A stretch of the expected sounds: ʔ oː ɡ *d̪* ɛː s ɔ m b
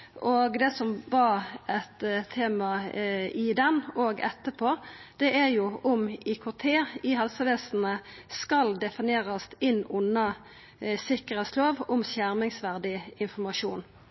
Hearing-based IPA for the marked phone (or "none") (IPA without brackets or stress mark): d̪